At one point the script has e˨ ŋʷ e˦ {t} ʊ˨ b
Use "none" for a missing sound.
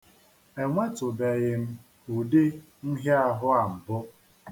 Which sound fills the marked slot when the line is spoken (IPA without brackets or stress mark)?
t